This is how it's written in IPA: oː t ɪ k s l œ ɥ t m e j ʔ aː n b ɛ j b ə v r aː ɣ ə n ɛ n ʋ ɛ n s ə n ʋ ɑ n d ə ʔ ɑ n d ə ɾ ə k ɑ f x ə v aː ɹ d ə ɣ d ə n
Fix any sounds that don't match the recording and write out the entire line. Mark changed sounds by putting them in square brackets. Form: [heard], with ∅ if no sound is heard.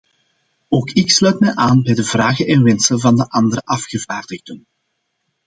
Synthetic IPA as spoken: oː [k] ɪ k s l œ ɥ t m [ɛ] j ʔ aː n b ɛ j [d] ə v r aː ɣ ə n ɛ n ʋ ɛ n s ə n [v] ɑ n d ə ʔ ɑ n d ə ɾ ə [ʔ] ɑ f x ə v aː [r] d ə ɣ d ə n